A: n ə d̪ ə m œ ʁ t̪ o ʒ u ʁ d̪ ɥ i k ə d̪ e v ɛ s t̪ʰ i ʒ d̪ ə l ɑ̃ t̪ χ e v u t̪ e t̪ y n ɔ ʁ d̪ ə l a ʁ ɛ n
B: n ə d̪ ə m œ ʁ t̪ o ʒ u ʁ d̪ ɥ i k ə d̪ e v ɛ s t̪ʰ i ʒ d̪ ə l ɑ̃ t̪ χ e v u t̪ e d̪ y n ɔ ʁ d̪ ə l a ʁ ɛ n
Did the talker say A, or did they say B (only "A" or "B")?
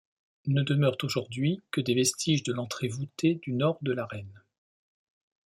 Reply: B